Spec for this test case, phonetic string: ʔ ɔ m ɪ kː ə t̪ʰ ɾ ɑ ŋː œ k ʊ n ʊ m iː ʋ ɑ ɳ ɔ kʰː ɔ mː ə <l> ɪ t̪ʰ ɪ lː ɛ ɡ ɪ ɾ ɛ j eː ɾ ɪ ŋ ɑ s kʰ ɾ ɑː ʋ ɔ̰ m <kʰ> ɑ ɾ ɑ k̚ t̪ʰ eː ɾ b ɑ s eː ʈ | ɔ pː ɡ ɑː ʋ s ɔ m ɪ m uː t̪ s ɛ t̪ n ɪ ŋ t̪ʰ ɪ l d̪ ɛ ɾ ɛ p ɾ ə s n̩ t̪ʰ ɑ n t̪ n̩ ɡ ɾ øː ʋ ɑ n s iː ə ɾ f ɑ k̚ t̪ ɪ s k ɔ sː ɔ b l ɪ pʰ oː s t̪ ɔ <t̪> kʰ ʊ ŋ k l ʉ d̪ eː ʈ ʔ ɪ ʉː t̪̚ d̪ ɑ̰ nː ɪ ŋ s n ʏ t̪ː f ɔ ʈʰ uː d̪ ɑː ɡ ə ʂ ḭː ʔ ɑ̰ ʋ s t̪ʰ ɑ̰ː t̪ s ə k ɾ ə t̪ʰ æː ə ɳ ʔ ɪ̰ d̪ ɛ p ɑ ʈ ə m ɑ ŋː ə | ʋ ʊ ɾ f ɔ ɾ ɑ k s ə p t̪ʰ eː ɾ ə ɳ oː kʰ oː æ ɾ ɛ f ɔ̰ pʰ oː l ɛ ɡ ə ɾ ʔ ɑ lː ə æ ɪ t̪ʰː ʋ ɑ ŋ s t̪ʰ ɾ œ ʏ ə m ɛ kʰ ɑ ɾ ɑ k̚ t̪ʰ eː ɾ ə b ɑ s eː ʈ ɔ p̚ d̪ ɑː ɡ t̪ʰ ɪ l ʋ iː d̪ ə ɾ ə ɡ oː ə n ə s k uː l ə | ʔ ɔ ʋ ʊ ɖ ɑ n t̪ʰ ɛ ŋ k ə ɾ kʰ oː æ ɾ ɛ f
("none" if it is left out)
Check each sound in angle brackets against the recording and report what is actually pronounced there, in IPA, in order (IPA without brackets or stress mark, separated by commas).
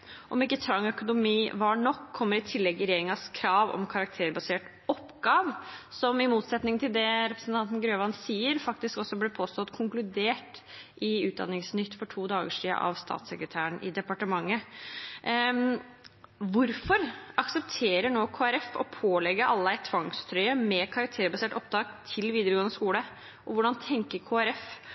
ɾ, kʰ, t̪